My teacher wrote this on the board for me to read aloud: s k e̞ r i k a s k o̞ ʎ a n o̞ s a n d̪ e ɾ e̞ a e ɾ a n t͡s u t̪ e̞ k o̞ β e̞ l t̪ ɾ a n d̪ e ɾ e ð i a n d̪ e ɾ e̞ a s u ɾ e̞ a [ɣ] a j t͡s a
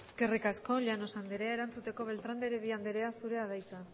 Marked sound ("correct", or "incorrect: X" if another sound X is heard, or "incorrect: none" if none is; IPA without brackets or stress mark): incorrect: ð